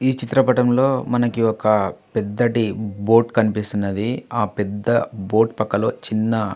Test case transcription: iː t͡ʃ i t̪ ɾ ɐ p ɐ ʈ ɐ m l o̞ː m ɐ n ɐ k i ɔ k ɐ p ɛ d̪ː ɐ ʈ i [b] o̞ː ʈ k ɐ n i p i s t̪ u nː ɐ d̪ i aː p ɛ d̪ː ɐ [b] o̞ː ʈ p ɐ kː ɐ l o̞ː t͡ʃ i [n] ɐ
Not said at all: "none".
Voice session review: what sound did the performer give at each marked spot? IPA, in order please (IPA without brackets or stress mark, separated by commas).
b, b, nː